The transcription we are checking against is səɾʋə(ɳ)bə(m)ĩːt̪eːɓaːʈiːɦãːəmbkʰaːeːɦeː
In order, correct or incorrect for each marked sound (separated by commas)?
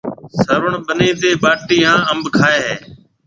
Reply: correct, incorrect